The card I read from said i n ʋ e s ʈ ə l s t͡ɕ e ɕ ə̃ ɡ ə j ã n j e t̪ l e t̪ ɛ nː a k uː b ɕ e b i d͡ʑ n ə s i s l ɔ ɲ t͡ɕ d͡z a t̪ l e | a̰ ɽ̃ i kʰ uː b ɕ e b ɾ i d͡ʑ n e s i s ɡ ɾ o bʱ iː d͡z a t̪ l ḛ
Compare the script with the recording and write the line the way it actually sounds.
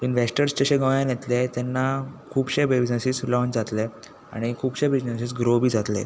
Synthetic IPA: i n ʋ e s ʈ ə ɾ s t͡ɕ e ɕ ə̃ ɡ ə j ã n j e t̪ l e t̪ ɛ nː a kʰ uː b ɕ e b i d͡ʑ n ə s i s l ɔ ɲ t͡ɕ d͡z a t̪ l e | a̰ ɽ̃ i kʰ uː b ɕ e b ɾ i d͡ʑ n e s i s ɡ ɾ o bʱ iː d͡z a t̪ l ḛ